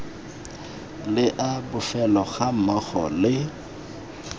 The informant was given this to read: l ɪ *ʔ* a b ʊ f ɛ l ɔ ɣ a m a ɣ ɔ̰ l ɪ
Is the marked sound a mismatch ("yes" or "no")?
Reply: no